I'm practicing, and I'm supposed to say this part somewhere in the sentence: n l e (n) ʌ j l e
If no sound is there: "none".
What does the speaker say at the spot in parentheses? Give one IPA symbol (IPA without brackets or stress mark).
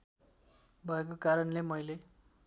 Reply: m